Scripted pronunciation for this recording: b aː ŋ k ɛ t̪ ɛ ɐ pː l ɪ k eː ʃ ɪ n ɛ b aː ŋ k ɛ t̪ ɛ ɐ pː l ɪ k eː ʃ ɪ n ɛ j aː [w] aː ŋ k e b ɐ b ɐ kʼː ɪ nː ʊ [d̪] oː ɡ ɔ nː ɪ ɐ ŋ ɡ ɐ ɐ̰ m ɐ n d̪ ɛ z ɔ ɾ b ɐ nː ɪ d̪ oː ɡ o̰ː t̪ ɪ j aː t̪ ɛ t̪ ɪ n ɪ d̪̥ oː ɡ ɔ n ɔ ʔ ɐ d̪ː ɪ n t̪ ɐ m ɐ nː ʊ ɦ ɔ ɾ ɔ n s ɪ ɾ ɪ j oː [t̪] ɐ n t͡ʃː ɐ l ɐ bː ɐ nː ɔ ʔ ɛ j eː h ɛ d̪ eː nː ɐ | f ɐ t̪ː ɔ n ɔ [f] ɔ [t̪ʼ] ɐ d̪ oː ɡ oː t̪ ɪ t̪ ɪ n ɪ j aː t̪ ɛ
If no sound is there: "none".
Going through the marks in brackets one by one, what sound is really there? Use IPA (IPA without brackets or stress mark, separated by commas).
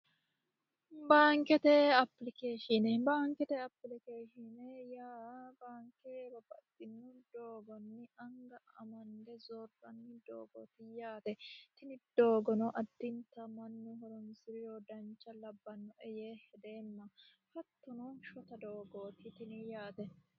b, d̪, d̪, ʃ, t̪